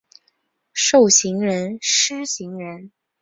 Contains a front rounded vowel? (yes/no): no